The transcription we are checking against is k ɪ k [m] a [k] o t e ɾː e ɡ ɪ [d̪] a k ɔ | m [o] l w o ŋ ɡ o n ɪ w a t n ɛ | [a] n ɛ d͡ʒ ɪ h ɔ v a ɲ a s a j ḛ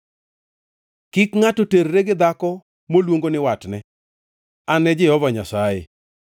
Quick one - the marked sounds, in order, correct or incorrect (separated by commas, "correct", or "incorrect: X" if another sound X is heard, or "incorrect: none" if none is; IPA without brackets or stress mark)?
incorrect: ŋ, incorrect: t, correct, correct, correct